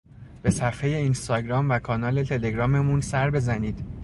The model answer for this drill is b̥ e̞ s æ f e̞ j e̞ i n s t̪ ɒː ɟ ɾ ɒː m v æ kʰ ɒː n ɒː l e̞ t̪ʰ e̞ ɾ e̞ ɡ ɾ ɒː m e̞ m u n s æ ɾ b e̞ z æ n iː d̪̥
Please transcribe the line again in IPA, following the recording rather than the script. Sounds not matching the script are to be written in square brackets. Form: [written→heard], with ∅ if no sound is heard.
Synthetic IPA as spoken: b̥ e̞ s æ f e̞ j e̞ i n s t̪ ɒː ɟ ɾ ɒː m v æ kʰ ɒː n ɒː l e̞ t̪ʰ e̞ [ɾ→l] e̞ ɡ ɾ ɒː m e̞ m u n s æ ɾ b e̞ z æ n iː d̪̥